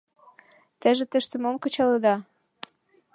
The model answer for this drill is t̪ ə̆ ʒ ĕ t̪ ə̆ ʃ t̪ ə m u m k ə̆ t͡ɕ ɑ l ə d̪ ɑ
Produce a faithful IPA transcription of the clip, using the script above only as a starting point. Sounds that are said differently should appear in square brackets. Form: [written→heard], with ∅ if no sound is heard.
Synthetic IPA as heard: t̪ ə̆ ʒ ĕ t̪ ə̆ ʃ t̪ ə m [u→o] m k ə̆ t͡ɕ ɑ l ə d̪ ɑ